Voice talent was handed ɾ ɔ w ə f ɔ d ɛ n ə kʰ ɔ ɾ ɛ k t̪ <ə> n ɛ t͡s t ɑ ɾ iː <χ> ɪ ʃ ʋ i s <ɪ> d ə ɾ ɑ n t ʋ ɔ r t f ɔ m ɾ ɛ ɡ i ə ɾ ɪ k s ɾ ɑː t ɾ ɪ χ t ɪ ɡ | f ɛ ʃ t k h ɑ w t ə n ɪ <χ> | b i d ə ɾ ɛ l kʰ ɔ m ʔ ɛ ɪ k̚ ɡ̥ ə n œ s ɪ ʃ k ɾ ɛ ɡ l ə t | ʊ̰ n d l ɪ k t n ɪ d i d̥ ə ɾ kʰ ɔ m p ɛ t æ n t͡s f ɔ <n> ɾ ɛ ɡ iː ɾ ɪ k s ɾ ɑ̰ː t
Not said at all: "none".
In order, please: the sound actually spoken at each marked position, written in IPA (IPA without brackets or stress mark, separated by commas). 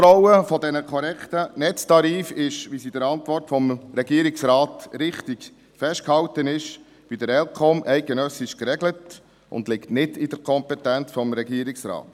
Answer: ə, f, i, ʃ, m